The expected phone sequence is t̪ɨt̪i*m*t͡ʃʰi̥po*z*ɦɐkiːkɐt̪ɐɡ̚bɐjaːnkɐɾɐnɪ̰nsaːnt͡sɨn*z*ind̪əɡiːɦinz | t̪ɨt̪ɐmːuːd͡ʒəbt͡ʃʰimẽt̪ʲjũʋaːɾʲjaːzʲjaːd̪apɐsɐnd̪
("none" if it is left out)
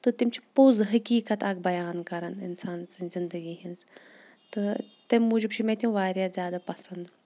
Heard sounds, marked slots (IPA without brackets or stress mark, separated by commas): m, z, z